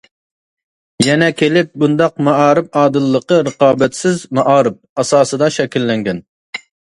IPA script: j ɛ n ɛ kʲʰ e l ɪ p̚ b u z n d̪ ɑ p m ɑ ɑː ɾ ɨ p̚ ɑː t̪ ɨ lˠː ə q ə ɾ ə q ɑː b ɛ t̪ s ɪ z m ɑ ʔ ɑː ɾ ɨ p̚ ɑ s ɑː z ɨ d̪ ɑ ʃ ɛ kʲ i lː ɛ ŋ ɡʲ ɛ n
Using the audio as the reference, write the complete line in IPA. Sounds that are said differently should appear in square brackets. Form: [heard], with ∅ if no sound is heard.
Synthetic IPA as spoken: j ɛ n ɛ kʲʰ e l ɪ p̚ b u [∅] n d̪ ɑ [q] m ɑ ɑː ɾ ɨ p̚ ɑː [d̪] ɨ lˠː ə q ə ɾ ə q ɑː b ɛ t̪ s ɪ z m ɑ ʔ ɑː ɾ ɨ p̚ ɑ s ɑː [s] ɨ d̪ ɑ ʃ ɛ kʲ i lː ɛ ŋ ɡʲ ɛ n